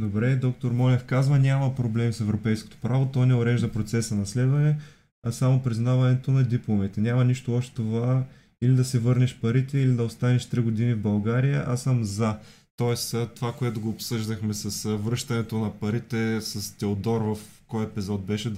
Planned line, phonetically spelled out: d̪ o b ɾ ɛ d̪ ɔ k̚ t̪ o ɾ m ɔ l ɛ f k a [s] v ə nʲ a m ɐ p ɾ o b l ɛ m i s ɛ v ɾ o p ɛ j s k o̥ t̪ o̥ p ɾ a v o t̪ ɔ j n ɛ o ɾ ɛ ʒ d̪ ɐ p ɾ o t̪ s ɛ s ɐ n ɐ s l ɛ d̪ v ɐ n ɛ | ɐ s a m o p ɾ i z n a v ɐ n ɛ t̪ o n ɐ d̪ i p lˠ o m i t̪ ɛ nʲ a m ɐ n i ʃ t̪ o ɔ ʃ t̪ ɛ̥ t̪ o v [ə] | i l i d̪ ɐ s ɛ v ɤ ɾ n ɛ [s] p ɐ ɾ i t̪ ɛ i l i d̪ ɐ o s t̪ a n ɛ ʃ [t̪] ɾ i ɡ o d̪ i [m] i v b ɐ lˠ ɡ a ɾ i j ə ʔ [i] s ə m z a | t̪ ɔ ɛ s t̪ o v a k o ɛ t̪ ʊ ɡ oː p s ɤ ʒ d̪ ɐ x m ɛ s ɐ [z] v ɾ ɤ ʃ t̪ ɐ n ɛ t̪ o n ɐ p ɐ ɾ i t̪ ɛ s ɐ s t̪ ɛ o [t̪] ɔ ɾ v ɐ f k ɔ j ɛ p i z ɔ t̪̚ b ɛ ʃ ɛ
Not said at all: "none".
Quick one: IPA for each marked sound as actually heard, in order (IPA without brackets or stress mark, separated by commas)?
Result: z, a, ʃ, t̪, n, a, s, d̪